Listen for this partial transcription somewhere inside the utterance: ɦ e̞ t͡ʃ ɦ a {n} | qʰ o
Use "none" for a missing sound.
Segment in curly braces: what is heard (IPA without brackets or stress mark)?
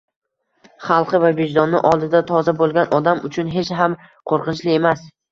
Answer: m